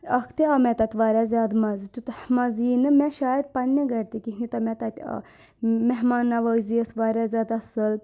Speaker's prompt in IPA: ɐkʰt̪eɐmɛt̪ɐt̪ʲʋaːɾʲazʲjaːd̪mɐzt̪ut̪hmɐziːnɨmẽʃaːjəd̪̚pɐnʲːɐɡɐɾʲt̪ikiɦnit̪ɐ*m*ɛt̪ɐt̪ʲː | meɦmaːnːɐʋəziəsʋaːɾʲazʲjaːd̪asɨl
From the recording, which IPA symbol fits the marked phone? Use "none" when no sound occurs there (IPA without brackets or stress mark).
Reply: m